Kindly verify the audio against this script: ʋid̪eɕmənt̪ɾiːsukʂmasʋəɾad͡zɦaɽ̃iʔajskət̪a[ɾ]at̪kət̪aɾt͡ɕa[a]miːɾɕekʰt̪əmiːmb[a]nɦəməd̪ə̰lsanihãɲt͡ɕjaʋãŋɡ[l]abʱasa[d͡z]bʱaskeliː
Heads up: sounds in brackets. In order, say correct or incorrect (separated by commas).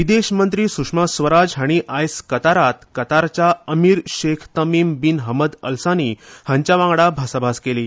correct, incorrect, incorrect, incorrect, incorrect